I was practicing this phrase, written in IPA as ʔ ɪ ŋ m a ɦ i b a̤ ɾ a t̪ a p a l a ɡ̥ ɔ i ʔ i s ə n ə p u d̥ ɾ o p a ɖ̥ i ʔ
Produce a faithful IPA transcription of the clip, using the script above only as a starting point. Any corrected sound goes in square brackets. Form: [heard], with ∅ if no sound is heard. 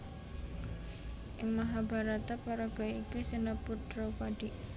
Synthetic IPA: ʔ ɪ ŋ m a ɦ [a] b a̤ ɾ a t̪ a p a [ɾ] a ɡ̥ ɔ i [k] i s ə n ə p u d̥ ɾ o p a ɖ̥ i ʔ